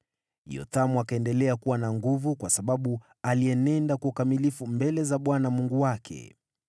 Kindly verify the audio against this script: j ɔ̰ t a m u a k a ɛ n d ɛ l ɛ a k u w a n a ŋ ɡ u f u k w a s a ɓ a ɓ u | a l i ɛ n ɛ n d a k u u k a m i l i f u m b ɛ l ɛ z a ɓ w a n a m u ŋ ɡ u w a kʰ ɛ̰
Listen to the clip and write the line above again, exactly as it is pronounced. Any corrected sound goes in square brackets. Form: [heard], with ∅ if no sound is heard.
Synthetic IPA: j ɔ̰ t a m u a k a ɛ n d ɛ l ɛ a k u w a n a ŋ ɡ u [v] u k w a s a ɓ a ɓ u | a l i ɛ n ɛ n d a k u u k a m i l i f u m b ɛ l ɛ z a ɓ w a n a m u ŋ ɡ u w a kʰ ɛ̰